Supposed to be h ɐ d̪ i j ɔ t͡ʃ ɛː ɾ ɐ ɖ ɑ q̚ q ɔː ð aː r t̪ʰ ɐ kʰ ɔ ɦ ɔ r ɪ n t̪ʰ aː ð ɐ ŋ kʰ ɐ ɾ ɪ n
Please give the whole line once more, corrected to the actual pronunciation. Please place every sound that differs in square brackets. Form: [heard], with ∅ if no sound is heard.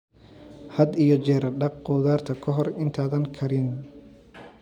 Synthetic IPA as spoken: h ɐ d̪ i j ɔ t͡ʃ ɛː ɾ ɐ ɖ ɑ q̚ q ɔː ð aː r t̪ʰ ɐ kʰ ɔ ɦ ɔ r ɪ n t̪ʰ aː ð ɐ ŋ kʰ ɐ ɾ ɪ n

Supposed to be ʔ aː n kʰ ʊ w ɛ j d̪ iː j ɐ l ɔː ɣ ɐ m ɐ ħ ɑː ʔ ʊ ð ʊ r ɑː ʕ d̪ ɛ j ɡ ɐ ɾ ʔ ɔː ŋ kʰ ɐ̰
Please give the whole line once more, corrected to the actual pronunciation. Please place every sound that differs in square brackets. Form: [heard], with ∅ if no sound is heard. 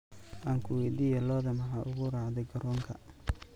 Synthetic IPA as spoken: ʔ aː [ŋ] kʰ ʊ w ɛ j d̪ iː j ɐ l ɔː [ð] ɐ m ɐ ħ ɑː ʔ ʊ [ɣ] ʊ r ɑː ʕ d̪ ɛ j ɡ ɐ ɾ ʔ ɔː ŋ kʰ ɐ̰

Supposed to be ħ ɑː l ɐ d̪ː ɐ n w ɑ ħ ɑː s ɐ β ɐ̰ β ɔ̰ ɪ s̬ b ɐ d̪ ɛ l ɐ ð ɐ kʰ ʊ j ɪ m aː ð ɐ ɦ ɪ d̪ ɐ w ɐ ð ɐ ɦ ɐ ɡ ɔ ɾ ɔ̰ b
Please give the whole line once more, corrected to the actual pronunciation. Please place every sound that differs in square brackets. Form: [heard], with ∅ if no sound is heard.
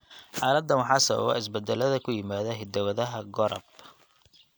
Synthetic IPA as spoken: ħ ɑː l ɐ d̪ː ɐ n w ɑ ħ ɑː s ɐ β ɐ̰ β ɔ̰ ɪ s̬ b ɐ d̪ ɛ l ɐ ð ɐ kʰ ʊ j ɪ m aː ð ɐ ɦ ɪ d̪ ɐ w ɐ ð ɐ ɦ ɐ ɡ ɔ ɾ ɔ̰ b

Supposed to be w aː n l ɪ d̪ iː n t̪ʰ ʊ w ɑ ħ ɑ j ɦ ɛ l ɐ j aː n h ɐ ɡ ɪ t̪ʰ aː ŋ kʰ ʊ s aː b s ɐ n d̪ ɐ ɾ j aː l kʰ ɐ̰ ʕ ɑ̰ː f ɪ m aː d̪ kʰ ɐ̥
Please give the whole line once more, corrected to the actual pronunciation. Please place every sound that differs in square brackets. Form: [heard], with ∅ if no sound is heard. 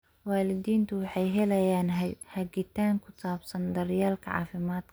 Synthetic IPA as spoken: w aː [∅] l ɪ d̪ iː n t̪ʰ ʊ w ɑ ħ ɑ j ɦ ɛ l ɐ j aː n h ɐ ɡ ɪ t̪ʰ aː ŋ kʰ ʊ s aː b s ɐ n d̪ ɐ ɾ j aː l kʰ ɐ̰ ʕ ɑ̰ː f ɪ m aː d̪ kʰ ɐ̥

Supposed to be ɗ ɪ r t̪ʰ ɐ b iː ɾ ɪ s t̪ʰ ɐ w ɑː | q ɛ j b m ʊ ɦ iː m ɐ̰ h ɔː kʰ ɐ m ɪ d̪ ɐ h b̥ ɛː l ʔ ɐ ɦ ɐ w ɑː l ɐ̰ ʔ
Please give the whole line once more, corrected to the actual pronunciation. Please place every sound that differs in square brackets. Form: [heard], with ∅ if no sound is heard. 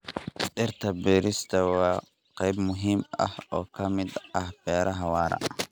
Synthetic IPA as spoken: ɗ ɪ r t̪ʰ ɐ b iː ɾ ɪ s t̪ʰ ɐ w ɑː | q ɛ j b m ʊ ɦ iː m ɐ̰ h ɔː kʰ ɐ m ɪ d̪ ɐ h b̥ ɛː [ɾ] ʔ ɐ ɦ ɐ w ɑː [ɾ] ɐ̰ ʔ

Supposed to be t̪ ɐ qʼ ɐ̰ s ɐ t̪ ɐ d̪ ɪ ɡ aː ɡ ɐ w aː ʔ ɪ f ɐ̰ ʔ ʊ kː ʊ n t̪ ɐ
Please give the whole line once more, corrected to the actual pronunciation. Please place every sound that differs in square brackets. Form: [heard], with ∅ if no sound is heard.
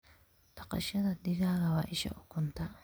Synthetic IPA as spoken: t̪ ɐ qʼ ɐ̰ [ʃ] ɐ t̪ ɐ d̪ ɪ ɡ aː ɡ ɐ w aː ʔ ɪ [ʃ] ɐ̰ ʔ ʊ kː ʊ n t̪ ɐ

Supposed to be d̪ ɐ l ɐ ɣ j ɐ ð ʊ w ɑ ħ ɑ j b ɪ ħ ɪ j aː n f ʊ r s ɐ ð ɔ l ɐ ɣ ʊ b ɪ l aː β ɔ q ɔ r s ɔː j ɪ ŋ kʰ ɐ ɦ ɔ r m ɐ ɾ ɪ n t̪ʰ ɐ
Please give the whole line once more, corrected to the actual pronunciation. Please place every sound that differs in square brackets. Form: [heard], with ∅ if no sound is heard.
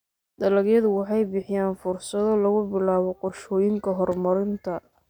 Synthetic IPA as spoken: d̪ ɐ l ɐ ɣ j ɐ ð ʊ w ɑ ħ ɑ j b ɪ ħ ɪ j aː n f ʊ r s ɐ ð ɔ l ɐ ɣ ʊ b ɪ l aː β ɔ q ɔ r [ʃ] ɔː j ɪ ŋ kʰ ɐ ɦ ɔ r m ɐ ɾ ɪ n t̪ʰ ɐ

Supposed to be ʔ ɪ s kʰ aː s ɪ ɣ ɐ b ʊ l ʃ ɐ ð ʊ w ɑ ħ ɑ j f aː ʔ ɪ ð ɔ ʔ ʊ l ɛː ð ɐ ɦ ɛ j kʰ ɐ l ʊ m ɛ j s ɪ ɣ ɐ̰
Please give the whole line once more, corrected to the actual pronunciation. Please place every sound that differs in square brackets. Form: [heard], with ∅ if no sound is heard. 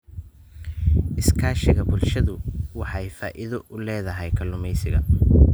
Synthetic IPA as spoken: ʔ ɪ s kʰ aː [ʃ] ɪ ɣ ɐ b ʊ l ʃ ɐ ð ʊ w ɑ ħ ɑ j f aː ʔ ɪ ð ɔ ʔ ʊ l ɛː ð ɐ ɦ ɛ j kʰ ɐ l ʊ m ɛ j s ɪ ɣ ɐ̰

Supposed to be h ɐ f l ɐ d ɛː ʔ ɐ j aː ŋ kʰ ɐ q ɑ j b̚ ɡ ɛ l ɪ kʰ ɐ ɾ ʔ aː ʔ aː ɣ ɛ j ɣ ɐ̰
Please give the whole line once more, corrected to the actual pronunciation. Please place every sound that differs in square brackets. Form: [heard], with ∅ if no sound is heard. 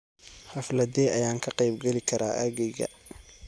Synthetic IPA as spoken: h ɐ f l ɐ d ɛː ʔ ɐ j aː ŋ kʰ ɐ q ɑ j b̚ ɡ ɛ l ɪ kʰ ɐ ɾ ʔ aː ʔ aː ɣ ɛ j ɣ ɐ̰

